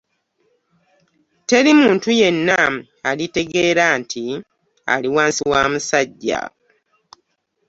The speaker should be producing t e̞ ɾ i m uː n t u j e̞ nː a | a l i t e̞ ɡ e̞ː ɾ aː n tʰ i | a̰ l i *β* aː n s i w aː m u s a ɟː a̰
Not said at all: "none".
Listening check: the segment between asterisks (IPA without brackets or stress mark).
w